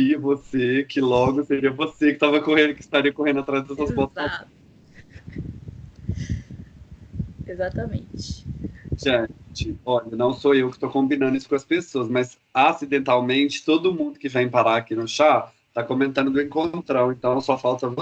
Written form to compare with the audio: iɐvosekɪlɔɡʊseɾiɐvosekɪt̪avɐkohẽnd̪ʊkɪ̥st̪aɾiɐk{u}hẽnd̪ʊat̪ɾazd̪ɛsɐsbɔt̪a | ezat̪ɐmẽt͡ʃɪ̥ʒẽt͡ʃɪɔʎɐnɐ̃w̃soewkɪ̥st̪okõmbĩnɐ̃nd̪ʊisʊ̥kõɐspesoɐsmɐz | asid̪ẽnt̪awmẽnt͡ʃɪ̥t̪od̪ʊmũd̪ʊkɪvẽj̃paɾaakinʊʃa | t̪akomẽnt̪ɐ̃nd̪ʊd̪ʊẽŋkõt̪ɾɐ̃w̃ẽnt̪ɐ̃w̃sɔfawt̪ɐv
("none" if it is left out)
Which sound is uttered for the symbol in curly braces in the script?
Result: o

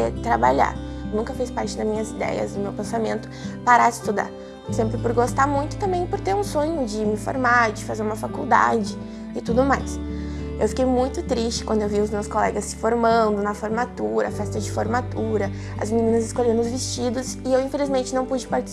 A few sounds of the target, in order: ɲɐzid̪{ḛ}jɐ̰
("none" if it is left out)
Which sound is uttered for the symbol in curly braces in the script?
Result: ɛ̰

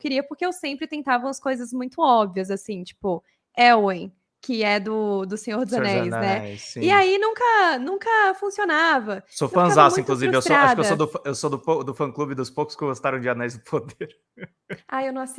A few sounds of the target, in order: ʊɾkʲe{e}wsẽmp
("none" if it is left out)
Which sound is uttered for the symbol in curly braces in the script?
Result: e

